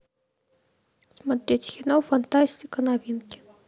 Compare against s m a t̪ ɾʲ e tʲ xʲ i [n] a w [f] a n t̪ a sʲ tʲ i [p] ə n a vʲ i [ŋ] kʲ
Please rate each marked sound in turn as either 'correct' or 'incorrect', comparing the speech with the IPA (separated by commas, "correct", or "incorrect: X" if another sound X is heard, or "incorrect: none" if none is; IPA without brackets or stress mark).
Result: correct, correct, incorrect: k, incorrect: n